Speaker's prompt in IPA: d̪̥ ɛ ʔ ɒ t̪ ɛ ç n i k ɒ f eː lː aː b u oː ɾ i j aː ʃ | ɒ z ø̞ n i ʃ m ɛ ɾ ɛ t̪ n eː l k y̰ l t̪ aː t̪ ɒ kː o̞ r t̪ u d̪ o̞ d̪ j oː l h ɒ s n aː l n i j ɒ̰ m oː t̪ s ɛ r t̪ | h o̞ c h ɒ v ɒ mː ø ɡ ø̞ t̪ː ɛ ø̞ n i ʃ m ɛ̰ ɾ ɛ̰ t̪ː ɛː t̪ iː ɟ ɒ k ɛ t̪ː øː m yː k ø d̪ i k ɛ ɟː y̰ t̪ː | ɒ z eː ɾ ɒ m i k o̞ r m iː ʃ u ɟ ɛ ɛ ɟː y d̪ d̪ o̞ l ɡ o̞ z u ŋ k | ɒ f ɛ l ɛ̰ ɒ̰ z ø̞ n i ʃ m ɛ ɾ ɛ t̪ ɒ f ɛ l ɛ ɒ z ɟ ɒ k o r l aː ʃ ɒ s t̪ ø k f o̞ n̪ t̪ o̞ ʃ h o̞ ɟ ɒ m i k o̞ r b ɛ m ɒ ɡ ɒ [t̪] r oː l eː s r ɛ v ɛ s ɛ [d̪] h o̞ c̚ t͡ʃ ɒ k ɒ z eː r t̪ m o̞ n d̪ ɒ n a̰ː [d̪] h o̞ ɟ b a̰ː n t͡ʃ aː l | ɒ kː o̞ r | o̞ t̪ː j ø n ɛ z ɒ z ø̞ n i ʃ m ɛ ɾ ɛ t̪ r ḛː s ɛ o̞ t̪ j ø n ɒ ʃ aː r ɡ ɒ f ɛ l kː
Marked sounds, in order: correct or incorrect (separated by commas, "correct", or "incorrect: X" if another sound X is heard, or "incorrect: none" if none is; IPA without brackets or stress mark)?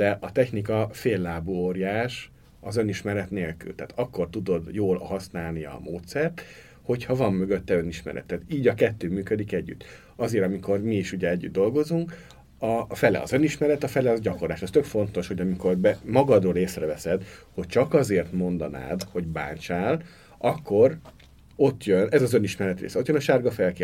incorrect: d̪, correct, correct